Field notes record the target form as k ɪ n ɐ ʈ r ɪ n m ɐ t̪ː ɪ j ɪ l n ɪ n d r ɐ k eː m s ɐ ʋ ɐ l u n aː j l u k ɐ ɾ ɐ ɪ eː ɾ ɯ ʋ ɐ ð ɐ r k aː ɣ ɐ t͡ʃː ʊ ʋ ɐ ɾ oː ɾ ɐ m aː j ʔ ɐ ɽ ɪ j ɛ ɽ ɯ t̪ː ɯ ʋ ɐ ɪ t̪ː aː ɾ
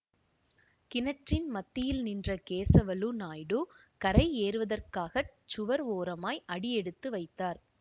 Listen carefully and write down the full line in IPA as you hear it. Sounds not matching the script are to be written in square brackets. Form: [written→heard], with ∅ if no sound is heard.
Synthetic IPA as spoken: k ɪ n ɐ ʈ r ɪ n m ɐ t̪ː ɪ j ɪ l n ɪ n d r ɐ k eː [m→∅] s ɐ ʋ ɐ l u n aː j [l→ɽ] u k ɐ ɾ ɐ ɪ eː ɾ ɯ ʋ ɐ ð ɐ r k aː ɣ ɐ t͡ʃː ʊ ʋ ɐ ɾ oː ɾ ɐ m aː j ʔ ɐ ɽ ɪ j ɛ ɽ ɯ t̪ː ɯ ʋ ɐ ɪ t̪ː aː ɾ